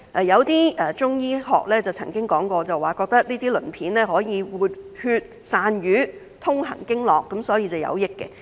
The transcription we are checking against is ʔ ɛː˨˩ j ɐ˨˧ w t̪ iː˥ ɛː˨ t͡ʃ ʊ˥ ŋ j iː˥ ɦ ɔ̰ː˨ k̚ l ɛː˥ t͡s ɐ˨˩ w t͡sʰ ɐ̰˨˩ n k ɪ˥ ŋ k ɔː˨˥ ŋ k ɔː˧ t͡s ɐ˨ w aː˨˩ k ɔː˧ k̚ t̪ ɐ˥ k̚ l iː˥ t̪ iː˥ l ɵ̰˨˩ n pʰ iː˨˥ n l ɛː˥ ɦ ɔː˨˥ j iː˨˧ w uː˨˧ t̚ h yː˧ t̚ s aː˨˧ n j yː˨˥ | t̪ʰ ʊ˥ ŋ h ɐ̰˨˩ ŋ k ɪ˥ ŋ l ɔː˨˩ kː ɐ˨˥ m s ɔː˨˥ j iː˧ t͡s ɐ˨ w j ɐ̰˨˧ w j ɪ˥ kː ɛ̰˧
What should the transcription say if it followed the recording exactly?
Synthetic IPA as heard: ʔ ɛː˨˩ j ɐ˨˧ w t̪ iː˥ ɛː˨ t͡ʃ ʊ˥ ŋ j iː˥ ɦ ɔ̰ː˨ k̚ l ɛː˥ t͡s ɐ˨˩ w t͡sʰ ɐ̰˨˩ ŋ k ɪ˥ ŋ k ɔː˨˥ ŋ k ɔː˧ t͡s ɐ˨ w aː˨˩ k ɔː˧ k̚ t̪ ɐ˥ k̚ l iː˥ t̪ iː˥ l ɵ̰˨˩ n pʰ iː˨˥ n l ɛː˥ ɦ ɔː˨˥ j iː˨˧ w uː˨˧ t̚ h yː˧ t̚ s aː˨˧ n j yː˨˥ | t̪ʰ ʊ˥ ŋ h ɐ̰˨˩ ŋ k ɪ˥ ŋ l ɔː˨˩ kː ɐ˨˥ m s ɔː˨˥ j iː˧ t͡s ɐ˨ w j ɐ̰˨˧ w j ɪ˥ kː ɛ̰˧